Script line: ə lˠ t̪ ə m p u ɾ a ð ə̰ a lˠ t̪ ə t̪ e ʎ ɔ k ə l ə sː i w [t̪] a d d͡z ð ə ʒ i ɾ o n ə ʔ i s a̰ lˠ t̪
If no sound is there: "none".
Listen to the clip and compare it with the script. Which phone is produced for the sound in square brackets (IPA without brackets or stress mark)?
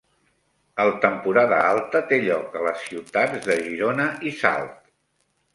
t̪